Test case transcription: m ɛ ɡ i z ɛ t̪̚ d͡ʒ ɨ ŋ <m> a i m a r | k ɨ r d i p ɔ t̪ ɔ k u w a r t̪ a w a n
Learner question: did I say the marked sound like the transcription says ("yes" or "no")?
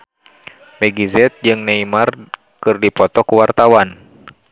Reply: no